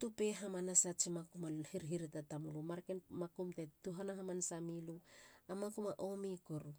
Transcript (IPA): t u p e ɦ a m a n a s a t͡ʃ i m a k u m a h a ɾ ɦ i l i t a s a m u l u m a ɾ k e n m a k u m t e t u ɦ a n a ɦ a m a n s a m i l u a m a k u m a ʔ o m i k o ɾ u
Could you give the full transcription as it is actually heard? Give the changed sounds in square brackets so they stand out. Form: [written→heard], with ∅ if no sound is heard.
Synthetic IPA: t u p e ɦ a m a n a s a t͡ʃ i m a k u m a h [a→i] ɾ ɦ i [l→ɾ] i t a [s→t] a m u l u m a ɾ k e n m a k u m t e t u ɦ a n a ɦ a m a n s a m i l u a m a k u m a ʔ o m i k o ɾ u